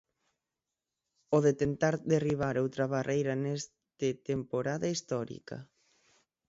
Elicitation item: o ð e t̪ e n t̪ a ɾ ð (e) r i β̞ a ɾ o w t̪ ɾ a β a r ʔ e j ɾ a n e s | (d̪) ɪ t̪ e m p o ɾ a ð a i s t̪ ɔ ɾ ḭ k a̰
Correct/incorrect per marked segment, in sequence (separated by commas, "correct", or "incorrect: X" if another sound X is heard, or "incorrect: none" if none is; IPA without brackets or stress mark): correct, incorrect: t̪